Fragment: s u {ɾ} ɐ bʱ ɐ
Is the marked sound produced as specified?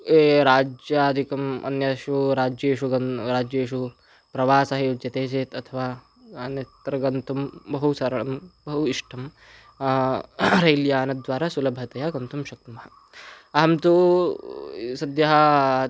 no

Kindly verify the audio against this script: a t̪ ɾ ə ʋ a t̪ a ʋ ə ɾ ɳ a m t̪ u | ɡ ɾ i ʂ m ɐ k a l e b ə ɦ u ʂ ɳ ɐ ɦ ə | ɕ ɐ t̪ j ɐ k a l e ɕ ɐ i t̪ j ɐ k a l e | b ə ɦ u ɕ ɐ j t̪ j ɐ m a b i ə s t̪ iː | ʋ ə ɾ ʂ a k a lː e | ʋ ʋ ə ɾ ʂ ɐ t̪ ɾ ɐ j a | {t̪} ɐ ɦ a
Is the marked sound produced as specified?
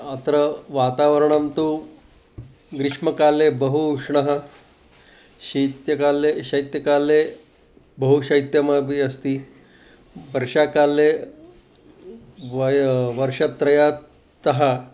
yes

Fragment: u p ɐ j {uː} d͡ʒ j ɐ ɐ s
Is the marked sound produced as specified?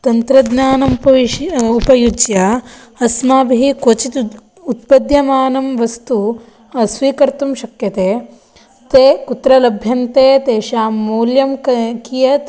no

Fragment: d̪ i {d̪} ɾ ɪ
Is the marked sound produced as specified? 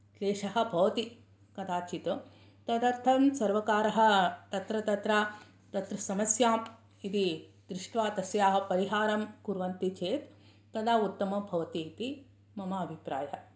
yes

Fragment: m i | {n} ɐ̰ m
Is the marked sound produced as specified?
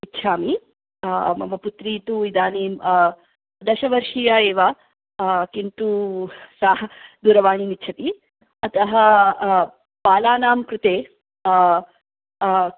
no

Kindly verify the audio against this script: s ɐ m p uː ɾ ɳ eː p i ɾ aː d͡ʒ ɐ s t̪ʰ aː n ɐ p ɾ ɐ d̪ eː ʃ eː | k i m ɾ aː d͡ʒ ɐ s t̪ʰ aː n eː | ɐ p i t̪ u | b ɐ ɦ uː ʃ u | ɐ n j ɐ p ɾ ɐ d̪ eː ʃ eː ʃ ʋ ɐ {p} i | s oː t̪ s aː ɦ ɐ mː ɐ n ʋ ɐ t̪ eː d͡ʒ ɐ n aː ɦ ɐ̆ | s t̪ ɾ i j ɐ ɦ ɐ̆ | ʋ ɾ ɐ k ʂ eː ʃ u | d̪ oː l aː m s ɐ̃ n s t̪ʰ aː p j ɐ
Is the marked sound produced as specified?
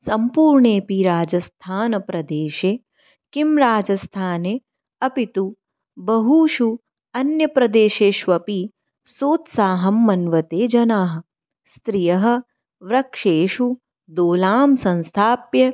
yes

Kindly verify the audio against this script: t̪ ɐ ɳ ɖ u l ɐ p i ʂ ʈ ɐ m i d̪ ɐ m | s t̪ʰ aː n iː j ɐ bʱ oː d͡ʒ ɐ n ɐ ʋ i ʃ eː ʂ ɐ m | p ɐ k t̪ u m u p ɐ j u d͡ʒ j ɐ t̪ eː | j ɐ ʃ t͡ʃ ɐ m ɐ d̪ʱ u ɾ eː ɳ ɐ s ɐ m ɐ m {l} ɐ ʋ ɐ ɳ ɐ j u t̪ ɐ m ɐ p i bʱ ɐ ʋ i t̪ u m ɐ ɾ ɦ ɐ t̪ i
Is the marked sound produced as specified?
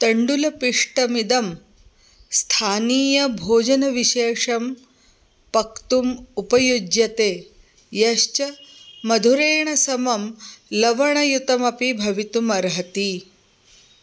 yes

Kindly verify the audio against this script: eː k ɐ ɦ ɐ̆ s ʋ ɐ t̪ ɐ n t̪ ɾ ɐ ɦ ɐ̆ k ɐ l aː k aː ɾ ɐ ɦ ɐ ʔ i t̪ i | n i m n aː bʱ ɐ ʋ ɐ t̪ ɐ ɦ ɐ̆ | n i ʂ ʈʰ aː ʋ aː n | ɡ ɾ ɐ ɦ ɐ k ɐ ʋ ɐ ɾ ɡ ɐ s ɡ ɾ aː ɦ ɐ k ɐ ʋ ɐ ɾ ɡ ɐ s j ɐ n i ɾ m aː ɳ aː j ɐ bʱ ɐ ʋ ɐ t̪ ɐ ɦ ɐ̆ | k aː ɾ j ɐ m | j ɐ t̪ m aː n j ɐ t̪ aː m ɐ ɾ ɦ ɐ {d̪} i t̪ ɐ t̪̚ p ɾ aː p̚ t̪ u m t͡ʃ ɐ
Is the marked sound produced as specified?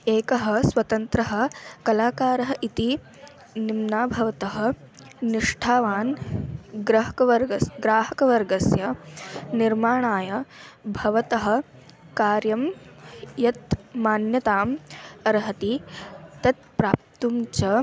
no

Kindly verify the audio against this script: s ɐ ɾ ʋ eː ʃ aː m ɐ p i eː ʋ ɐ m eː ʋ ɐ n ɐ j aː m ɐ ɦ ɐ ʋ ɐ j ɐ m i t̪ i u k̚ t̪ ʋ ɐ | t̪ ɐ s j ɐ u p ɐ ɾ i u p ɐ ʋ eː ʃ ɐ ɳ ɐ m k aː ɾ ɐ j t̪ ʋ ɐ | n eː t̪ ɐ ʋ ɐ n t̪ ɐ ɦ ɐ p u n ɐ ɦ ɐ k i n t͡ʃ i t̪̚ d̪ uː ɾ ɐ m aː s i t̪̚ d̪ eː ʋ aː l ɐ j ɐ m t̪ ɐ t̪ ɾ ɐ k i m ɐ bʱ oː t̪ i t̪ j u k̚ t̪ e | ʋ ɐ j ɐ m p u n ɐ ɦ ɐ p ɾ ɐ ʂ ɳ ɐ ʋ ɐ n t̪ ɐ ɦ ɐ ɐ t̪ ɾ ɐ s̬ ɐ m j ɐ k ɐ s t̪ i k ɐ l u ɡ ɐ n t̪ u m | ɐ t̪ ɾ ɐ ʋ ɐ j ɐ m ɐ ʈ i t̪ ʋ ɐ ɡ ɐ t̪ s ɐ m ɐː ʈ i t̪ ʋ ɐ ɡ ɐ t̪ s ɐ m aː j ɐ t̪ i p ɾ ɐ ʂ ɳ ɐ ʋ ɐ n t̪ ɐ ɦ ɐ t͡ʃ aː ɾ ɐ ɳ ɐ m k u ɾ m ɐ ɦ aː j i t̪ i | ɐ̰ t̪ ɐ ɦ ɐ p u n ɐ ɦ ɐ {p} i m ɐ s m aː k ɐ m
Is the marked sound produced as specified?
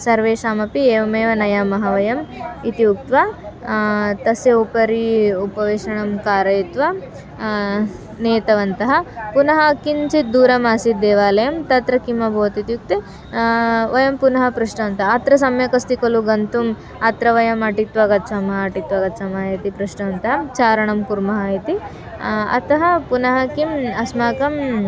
no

